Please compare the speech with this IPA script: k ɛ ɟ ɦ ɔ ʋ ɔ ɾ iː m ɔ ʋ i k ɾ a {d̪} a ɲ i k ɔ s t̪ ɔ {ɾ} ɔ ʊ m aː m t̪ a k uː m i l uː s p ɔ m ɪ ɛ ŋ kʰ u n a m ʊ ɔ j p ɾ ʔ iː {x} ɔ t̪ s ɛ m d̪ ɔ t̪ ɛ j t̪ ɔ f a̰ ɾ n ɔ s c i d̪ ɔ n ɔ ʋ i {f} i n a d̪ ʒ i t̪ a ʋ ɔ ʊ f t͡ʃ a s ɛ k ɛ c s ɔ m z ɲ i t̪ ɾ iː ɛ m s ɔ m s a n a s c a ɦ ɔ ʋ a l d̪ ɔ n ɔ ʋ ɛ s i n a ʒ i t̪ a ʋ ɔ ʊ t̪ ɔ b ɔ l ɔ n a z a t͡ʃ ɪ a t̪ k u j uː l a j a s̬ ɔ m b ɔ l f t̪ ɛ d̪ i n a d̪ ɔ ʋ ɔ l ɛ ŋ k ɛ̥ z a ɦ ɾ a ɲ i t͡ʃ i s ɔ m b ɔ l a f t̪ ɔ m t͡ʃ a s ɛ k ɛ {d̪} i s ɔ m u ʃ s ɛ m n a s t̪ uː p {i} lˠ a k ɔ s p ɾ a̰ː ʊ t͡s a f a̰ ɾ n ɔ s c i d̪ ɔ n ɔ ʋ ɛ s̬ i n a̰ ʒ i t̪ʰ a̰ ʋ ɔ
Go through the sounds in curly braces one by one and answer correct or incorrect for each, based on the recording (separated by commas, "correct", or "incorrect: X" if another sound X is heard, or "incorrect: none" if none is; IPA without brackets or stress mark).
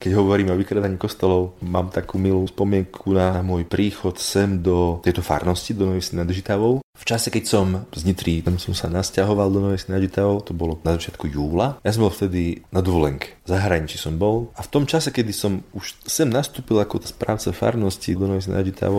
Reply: correct, incorrect: l, correct, incorrect: s, correct, correct